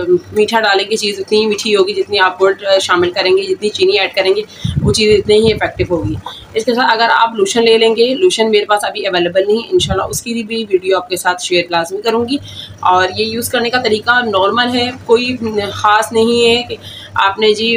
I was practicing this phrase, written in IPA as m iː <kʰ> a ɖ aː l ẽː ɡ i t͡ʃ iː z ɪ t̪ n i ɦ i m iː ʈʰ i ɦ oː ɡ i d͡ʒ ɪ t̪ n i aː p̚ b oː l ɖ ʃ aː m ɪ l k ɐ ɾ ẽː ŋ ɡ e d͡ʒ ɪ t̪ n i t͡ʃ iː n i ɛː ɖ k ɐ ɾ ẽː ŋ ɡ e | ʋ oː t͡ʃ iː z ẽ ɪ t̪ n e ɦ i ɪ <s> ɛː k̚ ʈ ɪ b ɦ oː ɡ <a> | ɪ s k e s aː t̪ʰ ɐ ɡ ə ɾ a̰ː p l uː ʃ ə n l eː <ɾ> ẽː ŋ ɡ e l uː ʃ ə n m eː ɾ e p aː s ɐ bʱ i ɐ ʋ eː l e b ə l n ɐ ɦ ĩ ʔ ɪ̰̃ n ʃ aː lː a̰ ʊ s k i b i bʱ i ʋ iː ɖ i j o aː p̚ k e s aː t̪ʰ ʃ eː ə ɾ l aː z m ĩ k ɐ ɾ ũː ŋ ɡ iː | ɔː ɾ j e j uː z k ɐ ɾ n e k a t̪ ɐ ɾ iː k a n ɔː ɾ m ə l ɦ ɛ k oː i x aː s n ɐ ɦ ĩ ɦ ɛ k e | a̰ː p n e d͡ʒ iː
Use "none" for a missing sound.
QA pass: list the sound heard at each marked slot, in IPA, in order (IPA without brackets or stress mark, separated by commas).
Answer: ʈʰ, f, i, l